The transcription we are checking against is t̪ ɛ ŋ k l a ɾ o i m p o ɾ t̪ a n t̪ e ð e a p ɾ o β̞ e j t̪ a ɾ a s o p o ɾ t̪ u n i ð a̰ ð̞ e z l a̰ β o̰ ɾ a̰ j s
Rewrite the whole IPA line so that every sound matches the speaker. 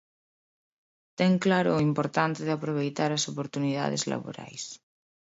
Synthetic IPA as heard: t̪ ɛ ŋ k l a ɾ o i m p o ɾ t̪ a n t̪ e ð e a p ɾ o β̞ e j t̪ a ɾ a s o p o ɾ t̪ u n i ð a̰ ð̞ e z l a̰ β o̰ ɾ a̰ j s